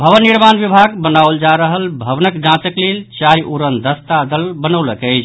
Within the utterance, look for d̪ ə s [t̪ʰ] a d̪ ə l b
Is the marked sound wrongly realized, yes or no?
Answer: yes